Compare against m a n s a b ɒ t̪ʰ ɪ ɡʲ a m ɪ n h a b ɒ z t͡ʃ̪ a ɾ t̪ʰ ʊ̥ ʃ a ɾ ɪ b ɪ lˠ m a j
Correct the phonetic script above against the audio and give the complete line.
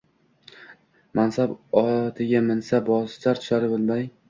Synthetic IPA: m a n s a b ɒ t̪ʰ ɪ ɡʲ a m ɪ n s a b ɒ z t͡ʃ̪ a ɾ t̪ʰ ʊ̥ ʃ a ɾ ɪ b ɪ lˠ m a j